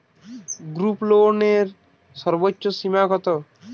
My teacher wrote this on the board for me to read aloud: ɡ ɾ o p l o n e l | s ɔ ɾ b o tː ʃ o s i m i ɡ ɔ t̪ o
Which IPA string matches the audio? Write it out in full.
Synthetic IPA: ɡ ɾ u p l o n e ɾ | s ɔ ɾ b o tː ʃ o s i m a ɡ ɔ t̪ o